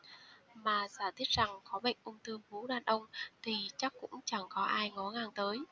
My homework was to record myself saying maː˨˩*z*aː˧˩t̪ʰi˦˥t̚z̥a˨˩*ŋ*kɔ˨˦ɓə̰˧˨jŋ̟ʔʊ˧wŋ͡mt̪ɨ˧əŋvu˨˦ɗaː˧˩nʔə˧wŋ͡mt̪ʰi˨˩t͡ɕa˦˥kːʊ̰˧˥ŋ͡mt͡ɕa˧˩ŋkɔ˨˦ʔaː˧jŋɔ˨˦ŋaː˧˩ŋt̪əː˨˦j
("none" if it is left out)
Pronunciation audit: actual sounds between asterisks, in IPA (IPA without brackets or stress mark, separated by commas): z, ŋ